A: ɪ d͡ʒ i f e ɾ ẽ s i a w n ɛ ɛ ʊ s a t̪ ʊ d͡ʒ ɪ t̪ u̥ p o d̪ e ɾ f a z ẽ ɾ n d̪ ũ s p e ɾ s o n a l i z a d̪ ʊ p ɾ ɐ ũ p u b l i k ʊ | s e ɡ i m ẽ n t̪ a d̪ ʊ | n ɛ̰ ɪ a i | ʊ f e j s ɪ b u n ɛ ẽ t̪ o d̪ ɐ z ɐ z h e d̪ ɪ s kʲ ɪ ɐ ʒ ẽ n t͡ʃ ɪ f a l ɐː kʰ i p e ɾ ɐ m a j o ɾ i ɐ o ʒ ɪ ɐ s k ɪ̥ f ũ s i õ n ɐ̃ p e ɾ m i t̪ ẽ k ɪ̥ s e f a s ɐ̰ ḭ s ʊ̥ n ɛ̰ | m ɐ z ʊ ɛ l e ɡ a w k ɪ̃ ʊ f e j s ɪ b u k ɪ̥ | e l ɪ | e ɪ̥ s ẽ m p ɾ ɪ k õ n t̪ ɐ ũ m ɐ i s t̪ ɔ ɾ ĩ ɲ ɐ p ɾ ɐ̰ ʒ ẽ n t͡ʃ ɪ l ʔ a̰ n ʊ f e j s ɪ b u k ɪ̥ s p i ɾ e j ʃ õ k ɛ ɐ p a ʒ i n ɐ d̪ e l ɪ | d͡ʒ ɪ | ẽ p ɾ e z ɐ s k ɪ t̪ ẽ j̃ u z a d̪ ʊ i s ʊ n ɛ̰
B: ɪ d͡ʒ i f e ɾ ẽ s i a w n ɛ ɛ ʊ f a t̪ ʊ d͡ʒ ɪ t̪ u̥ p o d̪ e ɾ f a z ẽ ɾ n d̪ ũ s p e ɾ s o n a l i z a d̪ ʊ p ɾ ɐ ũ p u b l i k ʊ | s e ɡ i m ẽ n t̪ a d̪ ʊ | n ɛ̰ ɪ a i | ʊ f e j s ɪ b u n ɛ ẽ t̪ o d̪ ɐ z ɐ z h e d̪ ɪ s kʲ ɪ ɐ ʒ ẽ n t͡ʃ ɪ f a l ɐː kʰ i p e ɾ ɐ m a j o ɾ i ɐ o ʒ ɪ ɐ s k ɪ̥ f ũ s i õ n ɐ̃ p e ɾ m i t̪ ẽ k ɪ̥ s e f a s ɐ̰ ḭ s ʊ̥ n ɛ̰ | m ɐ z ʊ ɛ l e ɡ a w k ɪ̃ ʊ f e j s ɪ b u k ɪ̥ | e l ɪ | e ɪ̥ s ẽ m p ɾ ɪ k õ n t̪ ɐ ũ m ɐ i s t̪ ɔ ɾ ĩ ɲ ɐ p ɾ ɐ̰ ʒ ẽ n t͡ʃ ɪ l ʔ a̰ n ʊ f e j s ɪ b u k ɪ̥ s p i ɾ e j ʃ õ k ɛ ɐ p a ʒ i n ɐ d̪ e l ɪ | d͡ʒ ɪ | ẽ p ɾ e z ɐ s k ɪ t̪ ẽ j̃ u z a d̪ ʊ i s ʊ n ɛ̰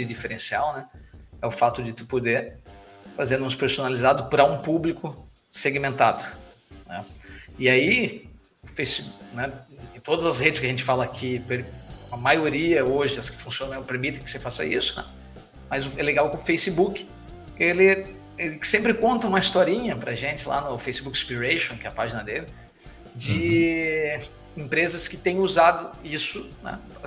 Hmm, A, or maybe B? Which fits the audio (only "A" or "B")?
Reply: B